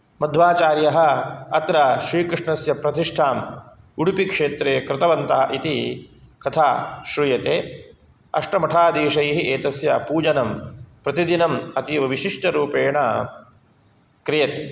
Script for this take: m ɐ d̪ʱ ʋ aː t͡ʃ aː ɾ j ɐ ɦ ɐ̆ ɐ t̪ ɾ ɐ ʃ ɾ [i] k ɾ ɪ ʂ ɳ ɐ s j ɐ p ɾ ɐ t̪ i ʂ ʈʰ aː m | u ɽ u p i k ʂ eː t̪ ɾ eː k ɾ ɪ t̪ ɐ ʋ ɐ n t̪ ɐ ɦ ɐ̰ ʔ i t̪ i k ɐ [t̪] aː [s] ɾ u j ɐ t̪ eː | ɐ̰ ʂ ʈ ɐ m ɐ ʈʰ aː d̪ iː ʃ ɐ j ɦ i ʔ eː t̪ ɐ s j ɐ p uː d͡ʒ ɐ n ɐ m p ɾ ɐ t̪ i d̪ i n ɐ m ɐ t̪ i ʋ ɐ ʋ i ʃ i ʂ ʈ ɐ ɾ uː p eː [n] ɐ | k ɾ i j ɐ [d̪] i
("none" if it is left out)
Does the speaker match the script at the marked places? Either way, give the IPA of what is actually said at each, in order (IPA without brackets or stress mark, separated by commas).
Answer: iː, t̪ʰ, ʃ, ɳ, t̪